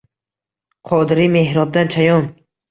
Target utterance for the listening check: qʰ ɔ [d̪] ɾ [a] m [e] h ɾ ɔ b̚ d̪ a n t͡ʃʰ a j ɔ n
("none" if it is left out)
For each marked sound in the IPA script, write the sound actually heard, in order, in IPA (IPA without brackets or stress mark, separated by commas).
d̪, i, e